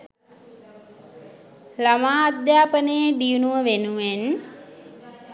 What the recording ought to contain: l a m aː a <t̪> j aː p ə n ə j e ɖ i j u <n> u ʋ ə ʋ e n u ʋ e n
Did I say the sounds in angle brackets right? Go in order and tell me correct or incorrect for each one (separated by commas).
incorrect, correct